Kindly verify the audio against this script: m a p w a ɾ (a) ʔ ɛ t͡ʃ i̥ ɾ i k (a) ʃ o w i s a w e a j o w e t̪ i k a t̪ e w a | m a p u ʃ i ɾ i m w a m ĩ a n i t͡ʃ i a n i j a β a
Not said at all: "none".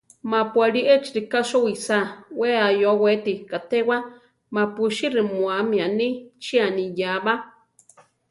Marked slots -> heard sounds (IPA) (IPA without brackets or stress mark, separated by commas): i, a